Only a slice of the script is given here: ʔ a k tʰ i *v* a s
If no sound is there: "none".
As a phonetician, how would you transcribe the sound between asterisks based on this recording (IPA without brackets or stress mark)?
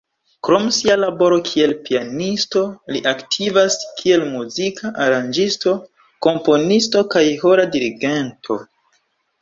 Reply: v